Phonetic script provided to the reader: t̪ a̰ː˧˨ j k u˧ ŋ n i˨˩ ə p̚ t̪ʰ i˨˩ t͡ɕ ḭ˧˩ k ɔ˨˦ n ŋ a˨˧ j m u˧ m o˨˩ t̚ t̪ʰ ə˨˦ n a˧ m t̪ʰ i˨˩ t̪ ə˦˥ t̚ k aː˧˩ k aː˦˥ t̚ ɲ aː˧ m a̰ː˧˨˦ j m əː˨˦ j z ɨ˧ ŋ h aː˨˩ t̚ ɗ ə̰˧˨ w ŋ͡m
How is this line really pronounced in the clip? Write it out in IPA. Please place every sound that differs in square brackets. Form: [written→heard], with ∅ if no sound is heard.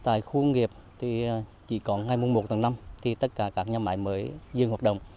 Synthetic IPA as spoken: t̪ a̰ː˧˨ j [k→x] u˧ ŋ [n→ŋ] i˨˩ ə p̚ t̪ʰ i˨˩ t͡ɕ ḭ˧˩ k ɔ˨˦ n ŋ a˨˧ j m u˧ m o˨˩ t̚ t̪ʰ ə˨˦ n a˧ m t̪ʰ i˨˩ t̪ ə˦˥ t̚ k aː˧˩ k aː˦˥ [t̚→k̚] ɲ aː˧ m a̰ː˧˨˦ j m əː˨˦ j z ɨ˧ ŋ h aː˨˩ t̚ ɗ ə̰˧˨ w ŋ͡m